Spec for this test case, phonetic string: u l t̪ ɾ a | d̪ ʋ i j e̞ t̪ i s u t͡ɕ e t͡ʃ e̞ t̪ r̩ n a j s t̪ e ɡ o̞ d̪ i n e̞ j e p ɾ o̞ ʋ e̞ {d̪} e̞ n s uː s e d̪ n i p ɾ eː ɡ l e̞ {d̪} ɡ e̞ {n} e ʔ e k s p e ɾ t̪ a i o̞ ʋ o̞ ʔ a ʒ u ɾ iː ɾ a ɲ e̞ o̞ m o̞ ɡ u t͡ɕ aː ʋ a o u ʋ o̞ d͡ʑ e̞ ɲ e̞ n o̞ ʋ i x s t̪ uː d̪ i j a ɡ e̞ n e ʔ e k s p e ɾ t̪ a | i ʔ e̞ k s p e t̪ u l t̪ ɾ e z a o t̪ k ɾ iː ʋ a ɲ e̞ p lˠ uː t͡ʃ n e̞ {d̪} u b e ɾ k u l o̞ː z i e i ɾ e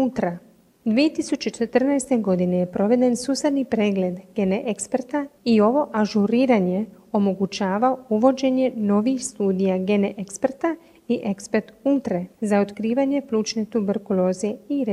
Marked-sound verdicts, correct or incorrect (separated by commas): correct, correct, correct, incorrect